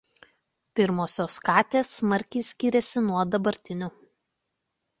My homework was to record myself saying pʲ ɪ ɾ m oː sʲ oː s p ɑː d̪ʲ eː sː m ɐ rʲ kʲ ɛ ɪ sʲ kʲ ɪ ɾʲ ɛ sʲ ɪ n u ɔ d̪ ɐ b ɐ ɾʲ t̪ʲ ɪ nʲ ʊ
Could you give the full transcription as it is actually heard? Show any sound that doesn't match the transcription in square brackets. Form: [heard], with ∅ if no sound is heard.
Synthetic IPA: pʲ ɪ ɾ m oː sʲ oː s [k] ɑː [t̪ʲ] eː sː m ɐ [ɾʲ] kʲ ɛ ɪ sʲ kʲ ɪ ɾʲ ɛ sʲ ɪ n u ɔ d̪ ɐ b ɐ ɾʲ t̪ʲ ɪ nʲ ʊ

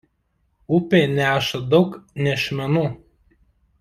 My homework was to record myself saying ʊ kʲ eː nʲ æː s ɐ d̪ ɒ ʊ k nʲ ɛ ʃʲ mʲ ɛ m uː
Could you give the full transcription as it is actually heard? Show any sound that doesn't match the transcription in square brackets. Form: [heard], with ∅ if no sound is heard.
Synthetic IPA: ʊ [pʲ] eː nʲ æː [ʃ] ɐ d̪ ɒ ʊ k nʲ ɛ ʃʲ mʲ ɛ [n] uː

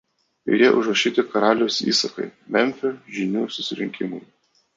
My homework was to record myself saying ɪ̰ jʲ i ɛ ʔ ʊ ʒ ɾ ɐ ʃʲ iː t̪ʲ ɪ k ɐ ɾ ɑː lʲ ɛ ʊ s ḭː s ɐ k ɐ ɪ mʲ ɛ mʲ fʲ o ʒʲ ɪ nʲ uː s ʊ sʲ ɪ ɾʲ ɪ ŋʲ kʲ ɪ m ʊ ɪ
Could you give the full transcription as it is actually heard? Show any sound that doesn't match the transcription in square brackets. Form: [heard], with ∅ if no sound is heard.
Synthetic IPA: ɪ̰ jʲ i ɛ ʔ ʊ ʒ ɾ ɐ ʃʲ iː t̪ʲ ɪ k ɐ ɾ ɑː lʲ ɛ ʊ s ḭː s ɐ k ɐ ɪ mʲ ɛ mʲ fʲ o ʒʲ ɪ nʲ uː s ʊ sʲ ɪ ɾʲ ɪ ŋʲ kʲ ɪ m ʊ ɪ

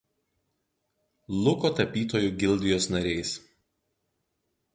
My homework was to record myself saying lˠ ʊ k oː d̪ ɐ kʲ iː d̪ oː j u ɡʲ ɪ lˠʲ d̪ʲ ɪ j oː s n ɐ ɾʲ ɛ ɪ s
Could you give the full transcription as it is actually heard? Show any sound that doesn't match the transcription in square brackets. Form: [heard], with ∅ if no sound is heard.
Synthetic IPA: lˠ ʊ k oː [t̪] ɐ [pʲ] iː [t̪] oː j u ɡʲ ɪ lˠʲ d̪ʲ ɪ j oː s n ɐ ɾʲ ɛ ɪ s

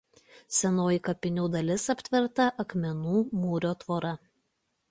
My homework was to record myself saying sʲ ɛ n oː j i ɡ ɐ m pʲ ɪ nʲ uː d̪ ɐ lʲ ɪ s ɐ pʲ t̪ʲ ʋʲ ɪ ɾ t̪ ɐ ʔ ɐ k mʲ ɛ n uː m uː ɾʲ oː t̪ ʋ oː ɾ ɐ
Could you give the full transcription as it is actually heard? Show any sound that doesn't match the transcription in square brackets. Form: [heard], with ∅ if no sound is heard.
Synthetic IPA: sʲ ɛ n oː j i [k] ɐ [∅] pʲ ɪ nʲ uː d̪ ɐ lʲ ɪ s ɐ pʲ t̪ʲ ʋʲ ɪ ɾ t̪ ɐ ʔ ɐ k mʲ ɛ n uː m uː ɾʲ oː t̪ ʋ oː ɾ ɐ

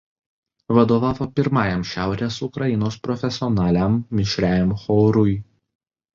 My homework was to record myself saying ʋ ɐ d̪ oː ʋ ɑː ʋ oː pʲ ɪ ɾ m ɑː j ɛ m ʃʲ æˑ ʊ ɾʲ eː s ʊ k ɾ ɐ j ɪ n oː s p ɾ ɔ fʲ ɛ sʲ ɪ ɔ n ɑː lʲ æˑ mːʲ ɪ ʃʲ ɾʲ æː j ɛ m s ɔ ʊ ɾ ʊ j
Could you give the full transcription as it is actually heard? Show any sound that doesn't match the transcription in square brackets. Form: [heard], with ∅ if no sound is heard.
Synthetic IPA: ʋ ɐ d̪ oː ʋ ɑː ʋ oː pʲ ɪ ɾ m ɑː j ɛ m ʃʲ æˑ ʊ ɾʲ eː s ʊ k ɾ ɐ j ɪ n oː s p ɾ ɔ fʲ ɛ sʲ ɪ ɔ n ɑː lʲ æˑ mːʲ ɪ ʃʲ ɾʲ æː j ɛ m [x] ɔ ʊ ɾ ʊ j

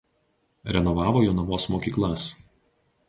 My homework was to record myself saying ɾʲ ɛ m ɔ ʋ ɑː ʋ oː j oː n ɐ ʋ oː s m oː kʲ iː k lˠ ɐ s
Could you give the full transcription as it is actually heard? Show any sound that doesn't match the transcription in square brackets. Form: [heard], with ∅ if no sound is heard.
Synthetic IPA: ɾʲ ɛ [n] ɔ ʋ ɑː ʋ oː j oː n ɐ ʋ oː s m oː kʲ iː k lˠ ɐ s

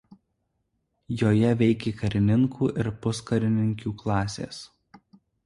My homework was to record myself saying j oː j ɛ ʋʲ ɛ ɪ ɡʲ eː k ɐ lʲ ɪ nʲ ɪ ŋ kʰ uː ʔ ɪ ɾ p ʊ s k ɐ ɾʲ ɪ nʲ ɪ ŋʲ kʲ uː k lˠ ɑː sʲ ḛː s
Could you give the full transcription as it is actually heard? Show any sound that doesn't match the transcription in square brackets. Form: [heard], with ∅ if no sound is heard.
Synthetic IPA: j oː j ɛ ʋʲ ɛ ɪ [kʲ] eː k ɐ [ɾʲ] ɪ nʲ ɪ ŋ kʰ uː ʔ ɪ ɾ p ʊ s k ɐ ɾʲ ɪ nʲ ɪ ŋʲ kʲ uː k lˠ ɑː sʲ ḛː s

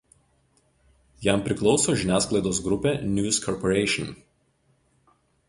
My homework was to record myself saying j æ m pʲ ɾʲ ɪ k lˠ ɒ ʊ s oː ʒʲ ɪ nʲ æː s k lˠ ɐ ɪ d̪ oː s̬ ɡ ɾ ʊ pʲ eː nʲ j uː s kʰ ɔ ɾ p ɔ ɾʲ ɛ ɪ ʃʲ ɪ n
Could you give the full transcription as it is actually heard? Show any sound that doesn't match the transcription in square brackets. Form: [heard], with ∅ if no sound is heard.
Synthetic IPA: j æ m pʲ ɾʲ ɪ k lˠ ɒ ʊ s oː ʒʲ ɪ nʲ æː s k lˠ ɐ ɪ d̪ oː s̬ ɡ ɾ ʊ pʲ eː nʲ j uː s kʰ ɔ ɾ p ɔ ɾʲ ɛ ɪ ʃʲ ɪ n

